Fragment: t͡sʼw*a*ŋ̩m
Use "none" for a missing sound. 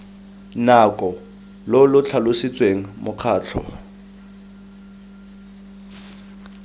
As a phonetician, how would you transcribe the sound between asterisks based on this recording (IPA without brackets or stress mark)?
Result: e